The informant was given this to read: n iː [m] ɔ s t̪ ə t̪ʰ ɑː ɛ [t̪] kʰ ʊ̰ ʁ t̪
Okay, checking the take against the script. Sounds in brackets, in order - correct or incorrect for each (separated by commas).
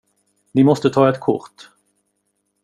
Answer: correct, correct